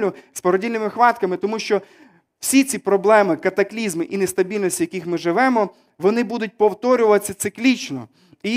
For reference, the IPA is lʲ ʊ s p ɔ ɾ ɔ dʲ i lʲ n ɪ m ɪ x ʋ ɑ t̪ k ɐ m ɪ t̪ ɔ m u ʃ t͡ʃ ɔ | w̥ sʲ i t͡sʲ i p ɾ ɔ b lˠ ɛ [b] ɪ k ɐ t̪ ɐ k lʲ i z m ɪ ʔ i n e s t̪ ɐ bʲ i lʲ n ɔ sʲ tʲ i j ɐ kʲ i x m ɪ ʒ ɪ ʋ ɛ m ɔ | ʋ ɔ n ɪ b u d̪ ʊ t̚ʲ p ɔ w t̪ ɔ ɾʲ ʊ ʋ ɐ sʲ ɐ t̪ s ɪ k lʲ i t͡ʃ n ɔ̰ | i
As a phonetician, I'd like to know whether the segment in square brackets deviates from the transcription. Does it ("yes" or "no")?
yes